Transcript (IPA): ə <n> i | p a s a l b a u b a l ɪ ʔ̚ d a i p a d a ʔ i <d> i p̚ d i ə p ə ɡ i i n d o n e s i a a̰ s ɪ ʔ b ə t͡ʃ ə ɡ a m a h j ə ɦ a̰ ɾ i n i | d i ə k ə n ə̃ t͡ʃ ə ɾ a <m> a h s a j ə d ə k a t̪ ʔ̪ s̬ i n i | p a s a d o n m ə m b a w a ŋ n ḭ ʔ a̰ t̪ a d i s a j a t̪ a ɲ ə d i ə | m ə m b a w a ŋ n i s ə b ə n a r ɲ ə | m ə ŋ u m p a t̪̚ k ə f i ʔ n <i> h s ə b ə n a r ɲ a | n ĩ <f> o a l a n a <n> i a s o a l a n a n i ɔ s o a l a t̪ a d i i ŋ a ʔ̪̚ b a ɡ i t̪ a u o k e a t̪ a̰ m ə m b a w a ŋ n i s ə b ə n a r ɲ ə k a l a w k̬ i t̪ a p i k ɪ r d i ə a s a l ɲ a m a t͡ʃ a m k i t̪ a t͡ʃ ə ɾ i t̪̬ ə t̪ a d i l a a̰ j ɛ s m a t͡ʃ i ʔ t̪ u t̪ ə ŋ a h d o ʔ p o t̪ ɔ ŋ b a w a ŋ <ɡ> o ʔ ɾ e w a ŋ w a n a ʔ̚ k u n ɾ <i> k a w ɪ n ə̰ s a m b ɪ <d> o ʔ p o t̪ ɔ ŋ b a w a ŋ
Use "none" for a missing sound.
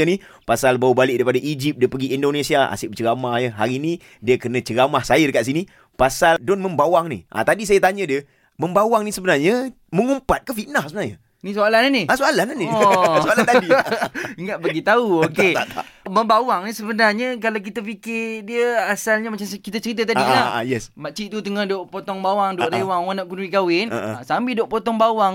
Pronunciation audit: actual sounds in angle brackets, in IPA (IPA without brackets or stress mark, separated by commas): n, d͡ʒ, m, a, s, n, d, i, d